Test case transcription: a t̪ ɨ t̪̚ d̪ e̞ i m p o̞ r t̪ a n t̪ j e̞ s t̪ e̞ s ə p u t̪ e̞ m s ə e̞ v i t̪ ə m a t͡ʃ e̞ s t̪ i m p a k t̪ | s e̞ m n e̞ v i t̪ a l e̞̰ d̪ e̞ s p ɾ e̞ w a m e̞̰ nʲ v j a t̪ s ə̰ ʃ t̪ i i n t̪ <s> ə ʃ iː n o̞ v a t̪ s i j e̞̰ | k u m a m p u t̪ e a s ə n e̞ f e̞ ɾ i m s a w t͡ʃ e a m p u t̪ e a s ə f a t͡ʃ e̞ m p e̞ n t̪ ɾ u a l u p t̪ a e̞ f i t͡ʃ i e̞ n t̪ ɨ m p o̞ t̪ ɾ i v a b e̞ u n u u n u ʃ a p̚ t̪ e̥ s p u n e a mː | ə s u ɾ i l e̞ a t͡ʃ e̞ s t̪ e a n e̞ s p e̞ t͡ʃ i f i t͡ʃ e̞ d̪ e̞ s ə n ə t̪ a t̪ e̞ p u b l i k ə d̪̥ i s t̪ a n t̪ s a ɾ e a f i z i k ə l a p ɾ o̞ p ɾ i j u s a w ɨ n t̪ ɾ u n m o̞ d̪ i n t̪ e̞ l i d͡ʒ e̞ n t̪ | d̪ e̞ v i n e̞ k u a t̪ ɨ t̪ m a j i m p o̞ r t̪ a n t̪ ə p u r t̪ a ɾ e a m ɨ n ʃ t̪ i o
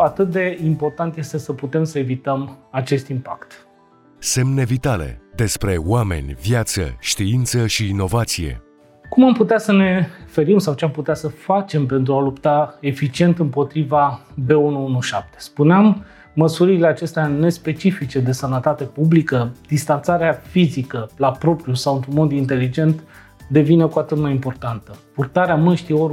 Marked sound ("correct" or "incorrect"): correct